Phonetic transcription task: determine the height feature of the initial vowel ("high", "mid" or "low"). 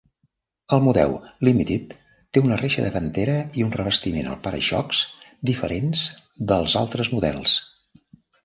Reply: mid